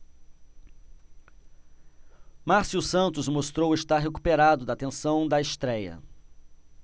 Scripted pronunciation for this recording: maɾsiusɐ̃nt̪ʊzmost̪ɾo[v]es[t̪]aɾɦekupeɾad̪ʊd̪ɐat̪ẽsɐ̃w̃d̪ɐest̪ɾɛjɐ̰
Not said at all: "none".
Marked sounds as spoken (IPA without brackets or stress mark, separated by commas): w, t̪